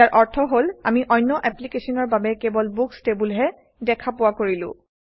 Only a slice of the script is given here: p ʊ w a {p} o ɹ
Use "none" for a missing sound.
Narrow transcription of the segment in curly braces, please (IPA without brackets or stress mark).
k